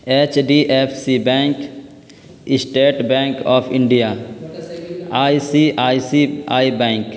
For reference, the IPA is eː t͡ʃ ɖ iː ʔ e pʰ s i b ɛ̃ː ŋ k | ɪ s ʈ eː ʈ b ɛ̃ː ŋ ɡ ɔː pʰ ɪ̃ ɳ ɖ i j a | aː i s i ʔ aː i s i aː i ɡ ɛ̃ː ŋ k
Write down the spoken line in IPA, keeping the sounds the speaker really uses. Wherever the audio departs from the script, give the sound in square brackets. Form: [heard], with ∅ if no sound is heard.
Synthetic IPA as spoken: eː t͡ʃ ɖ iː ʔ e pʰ s i b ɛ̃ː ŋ k | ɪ s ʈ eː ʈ b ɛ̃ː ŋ [k] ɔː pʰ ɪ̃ ɳ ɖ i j a | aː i s i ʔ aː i s i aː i [b] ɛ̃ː ŋ k